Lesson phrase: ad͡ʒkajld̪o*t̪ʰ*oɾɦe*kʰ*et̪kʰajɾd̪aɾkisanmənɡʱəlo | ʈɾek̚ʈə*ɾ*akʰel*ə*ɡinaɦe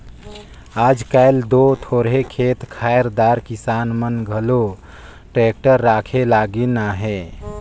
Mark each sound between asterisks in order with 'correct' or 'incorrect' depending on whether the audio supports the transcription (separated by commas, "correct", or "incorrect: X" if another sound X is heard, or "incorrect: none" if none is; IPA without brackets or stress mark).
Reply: correct, correct, incorrect: ɾː, incorrect: a